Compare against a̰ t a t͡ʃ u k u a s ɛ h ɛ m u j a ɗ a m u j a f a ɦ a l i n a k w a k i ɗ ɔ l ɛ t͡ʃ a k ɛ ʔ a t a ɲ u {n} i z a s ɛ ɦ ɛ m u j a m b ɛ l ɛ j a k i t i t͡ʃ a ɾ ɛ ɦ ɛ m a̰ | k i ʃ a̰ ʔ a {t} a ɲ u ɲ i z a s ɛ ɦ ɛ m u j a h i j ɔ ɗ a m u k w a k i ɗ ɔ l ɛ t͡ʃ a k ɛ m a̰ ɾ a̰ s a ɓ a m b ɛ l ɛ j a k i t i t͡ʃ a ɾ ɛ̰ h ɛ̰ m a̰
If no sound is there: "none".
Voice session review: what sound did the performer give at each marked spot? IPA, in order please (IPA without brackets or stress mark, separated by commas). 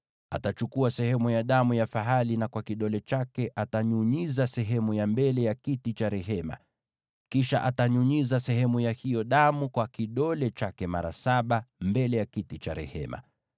ɲ, t